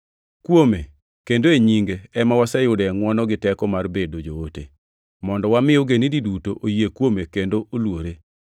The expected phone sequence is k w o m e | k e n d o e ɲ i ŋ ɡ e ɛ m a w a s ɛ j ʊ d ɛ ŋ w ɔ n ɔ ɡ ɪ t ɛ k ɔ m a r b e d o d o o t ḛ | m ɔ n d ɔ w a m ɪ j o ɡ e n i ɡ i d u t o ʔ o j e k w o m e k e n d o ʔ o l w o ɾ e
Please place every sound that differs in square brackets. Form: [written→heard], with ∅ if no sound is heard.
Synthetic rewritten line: k w o m e | k e n d o e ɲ i ŋ ɡ e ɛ m a w a s ɛ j ʊ d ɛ ŋ w ɔ n ɔ ɡ ɪ t ɛ k ɔ m a r b e d o [d→d͡ʒ] o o t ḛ | m ɔ n d ɔ w a m ɪ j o ɡ e n i [ɡ→d] i d u t o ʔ o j e k w o m e k e n d o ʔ o l w o ɾ e

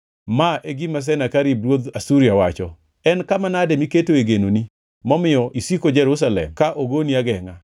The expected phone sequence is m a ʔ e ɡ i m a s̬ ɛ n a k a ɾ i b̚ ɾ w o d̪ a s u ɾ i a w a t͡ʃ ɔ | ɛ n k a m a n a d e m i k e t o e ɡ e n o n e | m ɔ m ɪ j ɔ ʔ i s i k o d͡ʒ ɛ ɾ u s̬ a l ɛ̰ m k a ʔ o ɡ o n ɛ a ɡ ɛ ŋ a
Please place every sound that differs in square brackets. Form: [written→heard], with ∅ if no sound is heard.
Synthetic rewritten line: m a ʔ e ɡ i m a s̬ ɛ n a k a ɾ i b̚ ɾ w o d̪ a s u ɾ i a w a t͡ʃ ɔ | ɛ n k a m a n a d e m i k e t o e ɡ e n o n [e→i] | m ɔ m ɪ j ɔ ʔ i s i k o d͡ʒ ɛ ɾ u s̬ a l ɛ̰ m k a ʔ o ɡ o n [ɛ→i] a ɡ ɛ ŋ a

